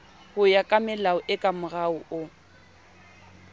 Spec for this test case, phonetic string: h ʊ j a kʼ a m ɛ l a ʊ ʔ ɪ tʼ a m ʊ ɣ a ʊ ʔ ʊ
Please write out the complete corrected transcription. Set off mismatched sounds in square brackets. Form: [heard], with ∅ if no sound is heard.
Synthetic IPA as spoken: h ʊ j a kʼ a m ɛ l a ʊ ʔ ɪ [kʼ] a m ʊ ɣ a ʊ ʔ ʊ

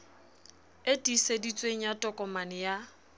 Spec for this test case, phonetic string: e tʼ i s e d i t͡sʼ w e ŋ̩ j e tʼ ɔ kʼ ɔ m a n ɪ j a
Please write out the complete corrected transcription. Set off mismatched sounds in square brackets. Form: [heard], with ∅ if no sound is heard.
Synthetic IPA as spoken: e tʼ i s e d i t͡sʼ w e ŋ̩ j [a] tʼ ɔ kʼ ɔ m a n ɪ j a

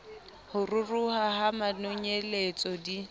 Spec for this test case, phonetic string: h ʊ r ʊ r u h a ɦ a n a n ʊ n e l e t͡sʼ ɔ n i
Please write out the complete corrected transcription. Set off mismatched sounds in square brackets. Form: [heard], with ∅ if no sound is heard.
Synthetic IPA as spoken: h ʊ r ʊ r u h a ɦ a [m] a n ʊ [ɲ] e l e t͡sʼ ɔ [d] i

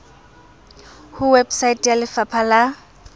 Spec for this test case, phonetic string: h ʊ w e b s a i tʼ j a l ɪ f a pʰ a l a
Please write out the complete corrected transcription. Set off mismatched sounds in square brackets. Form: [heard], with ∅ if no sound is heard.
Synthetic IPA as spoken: h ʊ w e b s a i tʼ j a l ɪ f a pʰ a l a

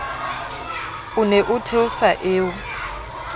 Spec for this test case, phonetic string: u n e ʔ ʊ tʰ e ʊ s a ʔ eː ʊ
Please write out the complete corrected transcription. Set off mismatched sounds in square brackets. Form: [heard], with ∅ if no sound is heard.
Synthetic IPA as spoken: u n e ʔ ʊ tʰ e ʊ s a ʔ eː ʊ

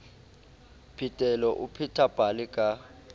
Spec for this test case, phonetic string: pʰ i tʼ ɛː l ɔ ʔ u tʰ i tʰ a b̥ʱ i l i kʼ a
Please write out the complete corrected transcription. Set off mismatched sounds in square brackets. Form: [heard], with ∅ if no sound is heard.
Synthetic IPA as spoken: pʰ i tʼ [ɛ] l ɔ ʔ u [pʰ] i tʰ a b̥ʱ [a] l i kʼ a

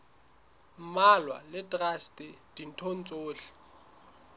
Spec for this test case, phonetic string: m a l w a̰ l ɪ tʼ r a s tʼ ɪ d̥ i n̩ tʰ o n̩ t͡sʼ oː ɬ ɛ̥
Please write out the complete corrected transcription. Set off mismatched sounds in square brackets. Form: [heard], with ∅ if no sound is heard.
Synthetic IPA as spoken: m a l w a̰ l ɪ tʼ r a s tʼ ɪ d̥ i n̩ tʰ o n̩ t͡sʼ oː ɬ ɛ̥

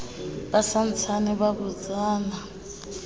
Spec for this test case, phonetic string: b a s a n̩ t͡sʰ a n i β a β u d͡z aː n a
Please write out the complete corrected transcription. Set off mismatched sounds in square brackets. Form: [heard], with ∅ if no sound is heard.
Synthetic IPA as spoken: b a s a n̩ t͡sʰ a n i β a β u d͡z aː n a

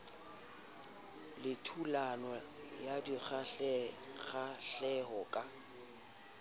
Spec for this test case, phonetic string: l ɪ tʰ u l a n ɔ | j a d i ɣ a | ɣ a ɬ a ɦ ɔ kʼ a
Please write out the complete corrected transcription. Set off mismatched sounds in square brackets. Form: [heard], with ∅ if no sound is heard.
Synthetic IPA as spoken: l ɪ tʰ u l a n ɔ | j a d i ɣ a | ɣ a ɬ [ɛ] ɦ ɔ kʼ a

